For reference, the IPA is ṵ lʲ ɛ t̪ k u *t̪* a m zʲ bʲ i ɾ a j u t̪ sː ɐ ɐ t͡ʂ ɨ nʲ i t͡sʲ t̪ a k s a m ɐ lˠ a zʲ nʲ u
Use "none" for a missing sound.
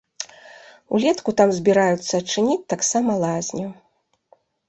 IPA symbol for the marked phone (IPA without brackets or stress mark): t̪